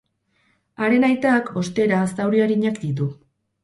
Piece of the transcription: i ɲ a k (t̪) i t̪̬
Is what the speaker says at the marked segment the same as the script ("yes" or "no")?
no